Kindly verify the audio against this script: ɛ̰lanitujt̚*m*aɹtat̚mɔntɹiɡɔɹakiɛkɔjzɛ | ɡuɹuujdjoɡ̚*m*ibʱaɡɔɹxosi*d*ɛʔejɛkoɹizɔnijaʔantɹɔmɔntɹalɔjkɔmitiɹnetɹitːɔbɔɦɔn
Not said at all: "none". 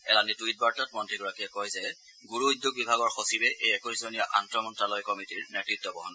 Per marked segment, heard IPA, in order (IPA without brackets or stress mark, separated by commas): b, b, b